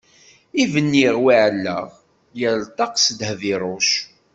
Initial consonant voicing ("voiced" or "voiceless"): voiced